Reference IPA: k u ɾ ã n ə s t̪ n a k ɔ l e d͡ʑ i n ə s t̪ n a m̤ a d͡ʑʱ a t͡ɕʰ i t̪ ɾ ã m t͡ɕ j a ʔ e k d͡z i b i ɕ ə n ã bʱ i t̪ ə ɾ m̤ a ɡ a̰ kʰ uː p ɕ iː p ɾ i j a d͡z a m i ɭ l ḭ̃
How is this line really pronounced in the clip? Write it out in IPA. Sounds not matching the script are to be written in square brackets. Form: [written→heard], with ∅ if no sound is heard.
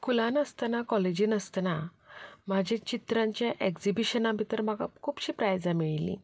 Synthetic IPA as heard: k u [ɾ→l] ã n ə s t̪ n a k ɔ l e d͡ʑ i n ə s t̪ n a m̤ a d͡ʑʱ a [t͡ɕʰ→t͡ɕ] i t̪ ɾ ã [m→ɲ] t͡ɕ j a ʔ e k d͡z i b i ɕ ə n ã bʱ i t̪ ə ɾ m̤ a ɡ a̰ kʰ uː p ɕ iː p ɾ [i→a] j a d͡z a m i ɭ l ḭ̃

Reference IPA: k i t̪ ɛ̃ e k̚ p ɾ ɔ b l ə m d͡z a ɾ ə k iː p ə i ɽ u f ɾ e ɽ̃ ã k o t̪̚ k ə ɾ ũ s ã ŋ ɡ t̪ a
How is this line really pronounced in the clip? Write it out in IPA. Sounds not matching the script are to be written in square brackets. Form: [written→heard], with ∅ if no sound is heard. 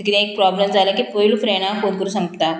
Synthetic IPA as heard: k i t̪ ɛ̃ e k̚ p ɾ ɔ b l ə m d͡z a [ɾ→l] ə k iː p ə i [ɽ→l] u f ɾ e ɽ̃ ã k o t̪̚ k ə ɾ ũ s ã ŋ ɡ t̪ a

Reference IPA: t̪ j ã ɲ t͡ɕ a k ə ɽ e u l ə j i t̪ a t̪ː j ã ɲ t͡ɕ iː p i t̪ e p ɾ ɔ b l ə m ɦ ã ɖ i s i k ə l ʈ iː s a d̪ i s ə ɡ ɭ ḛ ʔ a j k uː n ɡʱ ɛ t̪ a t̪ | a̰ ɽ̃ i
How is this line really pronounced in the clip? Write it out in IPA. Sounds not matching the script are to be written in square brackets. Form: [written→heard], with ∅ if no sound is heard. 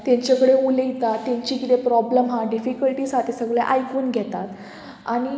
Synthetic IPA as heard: t̪ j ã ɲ t͡ɕ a k ə ɽ e u l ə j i t̪ a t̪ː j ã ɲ t͡ɕ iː [p→k] i t̪ e p ɾ ɔ b l ə m ɦ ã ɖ i [s→f] i k ə l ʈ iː s a [d̪→t̪] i s ə ɡ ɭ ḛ ʔ a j k uː n ɡʱ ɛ t̪ a t̪ | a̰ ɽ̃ i

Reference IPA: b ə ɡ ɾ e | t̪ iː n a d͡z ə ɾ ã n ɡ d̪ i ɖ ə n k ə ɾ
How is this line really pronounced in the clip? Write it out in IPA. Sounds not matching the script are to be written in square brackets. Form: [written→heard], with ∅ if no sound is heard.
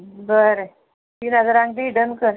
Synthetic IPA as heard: b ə [ɡ→∅] ɾ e | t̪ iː n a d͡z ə ɾ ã [n→ŋ] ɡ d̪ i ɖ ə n k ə ɾ

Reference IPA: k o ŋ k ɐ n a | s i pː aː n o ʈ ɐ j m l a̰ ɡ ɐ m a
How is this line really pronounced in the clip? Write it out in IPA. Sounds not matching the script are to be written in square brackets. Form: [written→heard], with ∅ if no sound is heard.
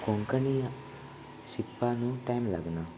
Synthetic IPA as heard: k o ŋ k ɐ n [a→i] | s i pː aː n [o→u] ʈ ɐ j m l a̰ ɡ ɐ [m→n] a

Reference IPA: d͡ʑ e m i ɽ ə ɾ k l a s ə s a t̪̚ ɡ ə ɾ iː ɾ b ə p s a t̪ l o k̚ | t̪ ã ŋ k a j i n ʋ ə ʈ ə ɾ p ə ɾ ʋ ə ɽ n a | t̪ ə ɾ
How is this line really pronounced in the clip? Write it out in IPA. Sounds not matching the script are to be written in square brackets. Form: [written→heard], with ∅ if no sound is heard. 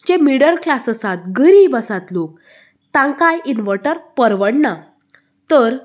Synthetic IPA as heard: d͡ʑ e m i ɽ ə ɾ k l a s ə s a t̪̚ ɡ ə ɾ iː [ɾ→∅] b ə [p→∅] s a t̪ l o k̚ | t̪ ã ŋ k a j i n ʋ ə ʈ ə ɾ p ə ɾ ʋ ə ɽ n a | t̪ ə ɾ

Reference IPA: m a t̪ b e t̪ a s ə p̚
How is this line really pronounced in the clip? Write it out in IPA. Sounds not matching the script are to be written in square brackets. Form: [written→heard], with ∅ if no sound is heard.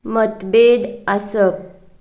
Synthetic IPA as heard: m [a→ə] t̪ b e [t̪→d̪] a s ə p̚

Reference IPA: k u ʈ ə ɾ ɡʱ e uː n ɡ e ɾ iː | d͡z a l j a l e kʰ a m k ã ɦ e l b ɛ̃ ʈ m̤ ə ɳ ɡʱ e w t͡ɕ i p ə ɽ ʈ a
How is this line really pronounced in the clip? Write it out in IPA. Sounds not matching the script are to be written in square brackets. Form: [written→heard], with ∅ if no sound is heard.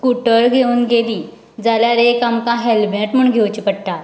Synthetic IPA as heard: k u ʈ ə ɾ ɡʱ e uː n ɡ e [ɾ→l] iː | d͡z a l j a [l→ɾ] e [kʰ→k] a m k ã ɦ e l b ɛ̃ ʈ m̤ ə ɳ ɡʱ e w t͡ɕ i p ə ɽ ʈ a

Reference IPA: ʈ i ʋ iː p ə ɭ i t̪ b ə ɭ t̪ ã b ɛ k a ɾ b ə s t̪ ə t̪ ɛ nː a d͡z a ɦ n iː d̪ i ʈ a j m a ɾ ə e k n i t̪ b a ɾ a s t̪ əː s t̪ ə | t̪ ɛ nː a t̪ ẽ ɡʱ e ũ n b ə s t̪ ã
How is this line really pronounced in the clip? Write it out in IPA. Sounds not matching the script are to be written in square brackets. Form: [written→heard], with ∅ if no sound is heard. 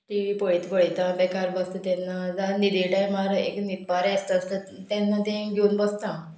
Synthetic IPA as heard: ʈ i ʋ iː p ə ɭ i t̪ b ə ɭ t̪ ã b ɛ k a ɾ b ə s t̪ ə t̪ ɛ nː a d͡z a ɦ n [iː→i] d̪ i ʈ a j m a ɾ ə e k n i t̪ b a ɾ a s t̪ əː s t̪ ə | t̪ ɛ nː a t̪ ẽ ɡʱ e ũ n b ə s t̪ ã

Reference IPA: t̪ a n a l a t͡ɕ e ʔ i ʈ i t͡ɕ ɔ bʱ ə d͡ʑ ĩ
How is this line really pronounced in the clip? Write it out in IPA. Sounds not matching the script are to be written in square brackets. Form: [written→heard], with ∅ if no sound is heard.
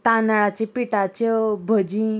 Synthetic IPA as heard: t̪ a n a [l→ɭ] a t͡ɕ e [ʔ→p] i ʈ [i→a] t͡ɕ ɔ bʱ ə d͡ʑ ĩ

